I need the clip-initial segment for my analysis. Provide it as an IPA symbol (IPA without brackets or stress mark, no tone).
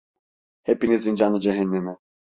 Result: h